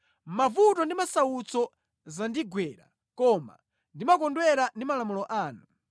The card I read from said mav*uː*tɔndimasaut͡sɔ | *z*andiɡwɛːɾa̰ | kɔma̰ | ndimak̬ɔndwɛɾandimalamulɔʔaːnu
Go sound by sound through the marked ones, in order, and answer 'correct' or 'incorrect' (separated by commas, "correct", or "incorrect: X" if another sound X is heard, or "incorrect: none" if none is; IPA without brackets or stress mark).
incorrect: u, correct